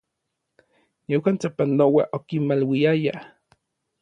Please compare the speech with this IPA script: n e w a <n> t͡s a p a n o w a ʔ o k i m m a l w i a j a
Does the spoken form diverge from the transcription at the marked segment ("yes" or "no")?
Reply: no